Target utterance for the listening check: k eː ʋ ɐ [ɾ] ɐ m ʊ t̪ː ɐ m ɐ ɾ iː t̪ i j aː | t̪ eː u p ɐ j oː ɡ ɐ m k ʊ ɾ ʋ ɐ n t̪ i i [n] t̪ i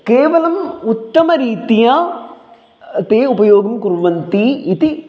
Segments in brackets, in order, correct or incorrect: incorrect: l, incorrect: none

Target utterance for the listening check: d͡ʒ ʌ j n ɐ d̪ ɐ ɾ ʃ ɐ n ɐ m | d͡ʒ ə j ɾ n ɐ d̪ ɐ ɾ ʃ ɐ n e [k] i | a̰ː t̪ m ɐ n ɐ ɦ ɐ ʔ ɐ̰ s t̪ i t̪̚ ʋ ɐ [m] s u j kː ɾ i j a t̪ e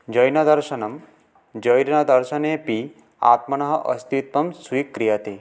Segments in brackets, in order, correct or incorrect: incorrect: p, correct

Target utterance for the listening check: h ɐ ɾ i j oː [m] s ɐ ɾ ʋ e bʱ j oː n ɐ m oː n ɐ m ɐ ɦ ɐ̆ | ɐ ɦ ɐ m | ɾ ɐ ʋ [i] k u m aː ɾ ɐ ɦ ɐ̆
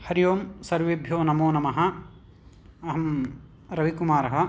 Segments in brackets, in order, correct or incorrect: correct, correct

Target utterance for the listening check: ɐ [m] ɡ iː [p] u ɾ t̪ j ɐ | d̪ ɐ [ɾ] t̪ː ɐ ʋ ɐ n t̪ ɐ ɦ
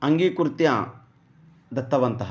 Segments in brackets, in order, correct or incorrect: incorrect: ŋ, incorrect: k, incorrect: none

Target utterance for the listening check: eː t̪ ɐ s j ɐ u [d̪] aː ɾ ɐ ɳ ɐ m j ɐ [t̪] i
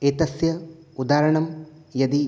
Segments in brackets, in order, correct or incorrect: correct, incorrect: d̪

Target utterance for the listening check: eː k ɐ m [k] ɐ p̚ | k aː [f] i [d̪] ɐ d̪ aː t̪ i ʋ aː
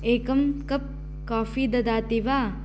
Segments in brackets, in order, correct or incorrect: correct, correct, correct

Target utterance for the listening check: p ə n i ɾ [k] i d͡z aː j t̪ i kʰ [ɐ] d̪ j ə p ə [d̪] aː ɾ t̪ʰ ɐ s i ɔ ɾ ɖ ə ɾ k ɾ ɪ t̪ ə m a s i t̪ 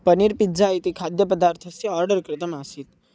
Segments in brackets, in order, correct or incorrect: incorrect: p, incorrect: a, correct

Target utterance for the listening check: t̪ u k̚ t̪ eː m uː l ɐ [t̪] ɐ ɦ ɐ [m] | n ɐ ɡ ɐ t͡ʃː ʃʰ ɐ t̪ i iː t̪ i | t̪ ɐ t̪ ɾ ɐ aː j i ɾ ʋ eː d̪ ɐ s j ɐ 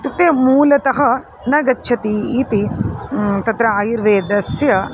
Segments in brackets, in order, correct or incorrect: correct, incorrect: none

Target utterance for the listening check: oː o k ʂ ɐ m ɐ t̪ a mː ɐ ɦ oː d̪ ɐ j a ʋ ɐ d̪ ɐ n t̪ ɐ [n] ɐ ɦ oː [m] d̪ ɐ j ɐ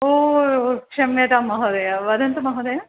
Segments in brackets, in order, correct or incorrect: incorrect: m, incorrect: none

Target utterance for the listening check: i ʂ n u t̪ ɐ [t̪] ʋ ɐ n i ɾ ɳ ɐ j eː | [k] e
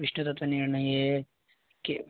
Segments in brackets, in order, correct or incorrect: correct, correct

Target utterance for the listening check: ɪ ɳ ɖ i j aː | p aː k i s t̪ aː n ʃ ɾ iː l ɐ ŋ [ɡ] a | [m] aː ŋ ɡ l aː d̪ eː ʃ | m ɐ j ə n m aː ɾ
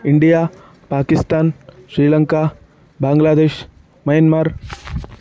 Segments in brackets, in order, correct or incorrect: incorrect: k, incorrect: b

